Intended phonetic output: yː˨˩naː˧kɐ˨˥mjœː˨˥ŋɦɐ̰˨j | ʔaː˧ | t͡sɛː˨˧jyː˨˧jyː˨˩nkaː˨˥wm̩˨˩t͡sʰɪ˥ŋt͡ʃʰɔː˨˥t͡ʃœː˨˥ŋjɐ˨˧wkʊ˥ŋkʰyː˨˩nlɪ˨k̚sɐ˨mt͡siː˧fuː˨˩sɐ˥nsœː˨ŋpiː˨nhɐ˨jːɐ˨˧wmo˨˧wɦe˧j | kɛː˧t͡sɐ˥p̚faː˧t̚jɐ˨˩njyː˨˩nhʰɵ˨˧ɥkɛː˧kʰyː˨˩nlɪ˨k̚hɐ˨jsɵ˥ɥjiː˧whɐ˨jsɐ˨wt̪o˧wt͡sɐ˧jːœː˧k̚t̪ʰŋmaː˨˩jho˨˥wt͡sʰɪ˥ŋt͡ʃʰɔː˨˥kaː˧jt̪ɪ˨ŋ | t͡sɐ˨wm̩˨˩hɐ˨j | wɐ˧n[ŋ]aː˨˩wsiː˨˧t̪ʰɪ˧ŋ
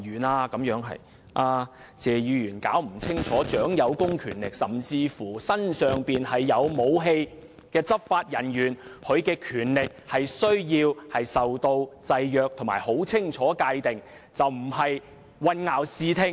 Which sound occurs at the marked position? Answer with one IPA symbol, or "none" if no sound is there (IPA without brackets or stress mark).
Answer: ŋ